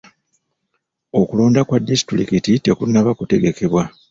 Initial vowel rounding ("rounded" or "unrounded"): rounded